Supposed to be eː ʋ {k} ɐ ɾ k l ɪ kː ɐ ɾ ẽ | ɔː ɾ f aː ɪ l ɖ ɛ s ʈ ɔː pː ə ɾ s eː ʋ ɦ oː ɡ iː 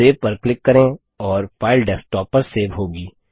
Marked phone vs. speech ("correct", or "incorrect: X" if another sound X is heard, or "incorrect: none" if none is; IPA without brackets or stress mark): incorrect: p